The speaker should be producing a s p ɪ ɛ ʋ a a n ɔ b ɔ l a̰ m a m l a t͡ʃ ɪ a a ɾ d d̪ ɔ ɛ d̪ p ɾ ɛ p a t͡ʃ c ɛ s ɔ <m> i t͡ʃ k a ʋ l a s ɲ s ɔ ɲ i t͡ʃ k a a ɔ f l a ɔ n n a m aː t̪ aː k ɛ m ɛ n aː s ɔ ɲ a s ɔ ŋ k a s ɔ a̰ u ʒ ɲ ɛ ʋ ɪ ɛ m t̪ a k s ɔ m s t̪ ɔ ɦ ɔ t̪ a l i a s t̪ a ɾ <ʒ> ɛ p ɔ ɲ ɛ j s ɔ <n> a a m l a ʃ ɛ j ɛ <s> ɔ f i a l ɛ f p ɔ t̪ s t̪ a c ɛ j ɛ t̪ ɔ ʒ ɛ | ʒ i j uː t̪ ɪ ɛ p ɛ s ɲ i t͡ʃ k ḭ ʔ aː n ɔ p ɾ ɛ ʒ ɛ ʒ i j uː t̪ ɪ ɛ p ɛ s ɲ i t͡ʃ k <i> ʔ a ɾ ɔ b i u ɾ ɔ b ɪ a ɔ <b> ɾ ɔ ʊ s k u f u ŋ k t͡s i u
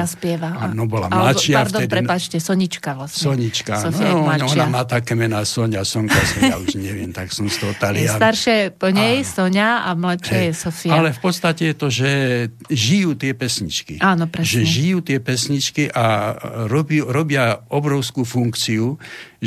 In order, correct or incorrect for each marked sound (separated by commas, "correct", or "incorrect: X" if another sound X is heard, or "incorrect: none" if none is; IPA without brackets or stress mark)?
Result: incorrect: ɲ, incorrect: ʃ, incorrect: ɲ, correct, correct, correct